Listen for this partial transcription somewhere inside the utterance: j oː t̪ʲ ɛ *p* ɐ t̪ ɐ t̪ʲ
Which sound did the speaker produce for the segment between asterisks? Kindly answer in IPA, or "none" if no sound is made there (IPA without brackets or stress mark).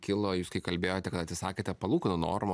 k